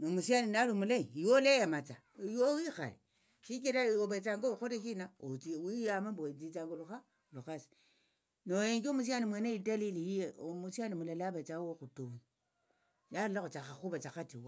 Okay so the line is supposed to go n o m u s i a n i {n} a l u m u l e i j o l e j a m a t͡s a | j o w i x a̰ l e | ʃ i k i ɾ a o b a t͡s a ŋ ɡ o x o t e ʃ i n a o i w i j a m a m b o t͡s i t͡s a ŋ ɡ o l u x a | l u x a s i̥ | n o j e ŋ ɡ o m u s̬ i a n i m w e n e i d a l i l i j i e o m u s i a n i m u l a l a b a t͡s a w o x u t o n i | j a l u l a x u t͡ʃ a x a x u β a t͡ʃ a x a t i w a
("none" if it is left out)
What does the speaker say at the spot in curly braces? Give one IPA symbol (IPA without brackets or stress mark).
n